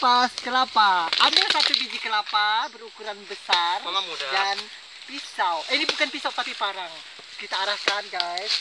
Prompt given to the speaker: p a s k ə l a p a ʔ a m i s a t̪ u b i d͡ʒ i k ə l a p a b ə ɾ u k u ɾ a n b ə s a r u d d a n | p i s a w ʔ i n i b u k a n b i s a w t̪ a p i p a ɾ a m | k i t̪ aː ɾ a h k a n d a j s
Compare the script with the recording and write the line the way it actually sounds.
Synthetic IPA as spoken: p a s k ə l a p a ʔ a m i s a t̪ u b i d͡ʒ i k ə l a p a b ə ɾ u k u ɾ a n b ə s a r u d d a n | p i s a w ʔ i n i b u k a n p i s a w t̪ a p i p a ɾ a ŋ | k i t̪ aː ɾ a h k a n ɡ a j s